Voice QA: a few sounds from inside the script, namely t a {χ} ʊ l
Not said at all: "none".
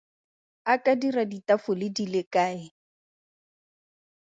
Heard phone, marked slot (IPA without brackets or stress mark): f